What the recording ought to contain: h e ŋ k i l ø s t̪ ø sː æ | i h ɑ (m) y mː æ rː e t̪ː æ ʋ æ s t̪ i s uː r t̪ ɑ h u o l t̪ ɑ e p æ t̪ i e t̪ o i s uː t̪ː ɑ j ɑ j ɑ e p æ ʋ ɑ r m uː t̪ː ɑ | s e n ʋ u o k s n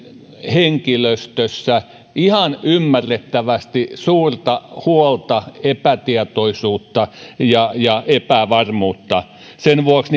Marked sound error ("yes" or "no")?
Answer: yes